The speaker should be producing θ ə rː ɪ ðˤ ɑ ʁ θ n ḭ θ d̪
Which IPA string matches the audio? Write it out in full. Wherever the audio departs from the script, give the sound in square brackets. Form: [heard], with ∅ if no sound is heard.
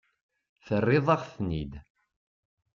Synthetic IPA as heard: θ ə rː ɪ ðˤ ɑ ʁ θ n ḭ [∅] d̪